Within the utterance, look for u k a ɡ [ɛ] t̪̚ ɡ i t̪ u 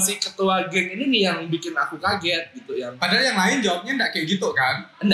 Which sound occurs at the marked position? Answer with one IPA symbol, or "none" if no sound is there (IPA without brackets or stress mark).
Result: ɛ